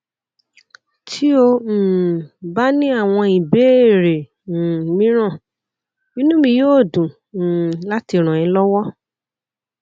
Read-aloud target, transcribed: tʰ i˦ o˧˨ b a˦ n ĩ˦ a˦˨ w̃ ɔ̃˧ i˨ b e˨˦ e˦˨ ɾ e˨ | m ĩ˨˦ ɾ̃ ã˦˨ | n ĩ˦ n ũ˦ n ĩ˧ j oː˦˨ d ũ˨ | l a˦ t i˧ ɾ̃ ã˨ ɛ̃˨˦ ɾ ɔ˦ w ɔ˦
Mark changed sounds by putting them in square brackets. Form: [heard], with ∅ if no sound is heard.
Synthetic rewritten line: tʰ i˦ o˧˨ b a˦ n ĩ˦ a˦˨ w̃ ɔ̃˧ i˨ b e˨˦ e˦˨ ɾ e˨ | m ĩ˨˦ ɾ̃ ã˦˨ | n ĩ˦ n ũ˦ [m] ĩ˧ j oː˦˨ d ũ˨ | l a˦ t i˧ ɾ̃ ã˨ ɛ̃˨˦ [l] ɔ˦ w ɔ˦